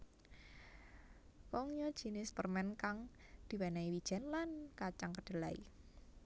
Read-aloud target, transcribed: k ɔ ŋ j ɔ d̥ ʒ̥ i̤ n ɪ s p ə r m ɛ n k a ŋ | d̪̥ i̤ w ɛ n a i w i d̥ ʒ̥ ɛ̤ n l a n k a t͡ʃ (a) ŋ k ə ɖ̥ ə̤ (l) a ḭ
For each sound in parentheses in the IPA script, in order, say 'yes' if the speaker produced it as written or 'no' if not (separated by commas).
yes, yes